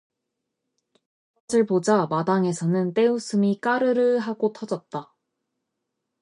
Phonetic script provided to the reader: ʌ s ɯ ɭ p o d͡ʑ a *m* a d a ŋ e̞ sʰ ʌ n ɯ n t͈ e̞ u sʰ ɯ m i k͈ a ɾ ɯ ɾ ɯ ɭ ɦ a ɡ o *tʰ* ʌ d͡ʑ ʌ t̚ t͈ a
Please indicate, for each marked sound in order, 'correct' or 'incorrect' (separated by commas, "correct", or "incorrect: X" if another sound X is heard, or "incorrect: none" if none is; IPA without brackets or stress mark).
correct, correct